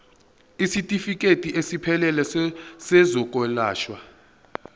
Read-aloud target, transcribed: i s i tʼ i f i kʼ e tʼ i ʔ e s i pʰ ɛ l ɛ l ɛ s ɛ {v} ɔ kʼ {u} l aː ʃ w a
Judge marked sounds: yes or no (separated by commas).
no, no